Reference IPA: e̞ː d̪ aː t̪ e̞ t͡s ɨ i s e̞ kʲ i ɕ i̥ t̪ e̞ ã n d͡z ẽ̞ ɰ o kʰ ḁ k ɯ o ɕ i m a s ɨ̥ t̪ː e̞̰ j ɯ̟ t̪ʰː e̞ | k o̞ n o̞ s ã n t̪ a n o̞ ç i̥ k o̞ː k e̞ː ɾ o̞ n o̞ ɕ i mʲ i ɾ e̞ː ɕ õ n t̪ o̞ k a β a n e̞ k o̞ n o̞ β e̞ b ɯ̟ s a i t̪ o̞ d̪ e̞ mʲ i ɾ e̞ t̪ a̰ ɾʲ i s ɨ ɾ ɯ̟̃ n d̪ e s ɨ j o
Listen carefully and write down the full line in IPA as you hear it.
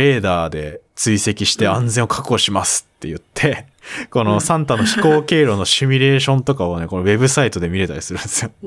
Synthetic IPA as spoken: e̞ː d̪ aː d̪ e̞ t͡s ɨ i s e̞ kʲ i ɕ i̥ t̪ e̞ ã n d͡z ẽ̞ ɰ o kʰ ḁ k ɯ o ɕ i m a s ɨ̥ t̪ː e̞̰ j ɯ̟ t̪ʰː e̞ | k o̞ n o̞ s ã n t̪ a n o̞ ç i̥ k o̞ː k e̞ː ɾ o̞ n o̞ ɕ i mʲ i ɾ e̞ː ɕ õ n t̪ o̞ k a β a n e̞ k o̞ n o̞ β e̞ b ɯ̟ s a i t̪ o̞ d̪ e̞ mʲ i ɾ e̞ t̪ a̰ ɾʲ i s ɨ ɾ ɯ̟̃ n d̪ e s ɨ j o